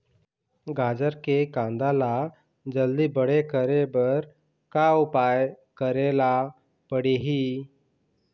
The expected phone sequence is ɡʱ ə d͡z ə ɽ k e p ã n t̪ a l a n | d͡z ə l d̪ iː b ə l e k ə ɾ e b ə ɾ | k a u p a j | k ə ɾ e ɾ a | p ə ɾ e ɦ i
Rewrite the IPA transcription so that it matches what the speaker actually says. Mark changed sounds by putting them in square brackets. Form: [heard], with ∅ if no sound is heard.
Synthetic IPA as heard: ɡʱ [a] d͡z ə [ɾ] k e [k] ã n [d̪] a l a [∅] | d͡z ə l d̪ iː b ə [ɽ] e k ə ɾ e b ə ɾ | k a u p a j | k ə ɾ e [l] a | p ə [ɽ] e ɦ i